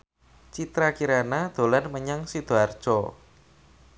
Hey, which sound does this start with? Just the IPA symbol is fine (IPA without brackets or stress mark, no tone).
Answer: t͡ʃ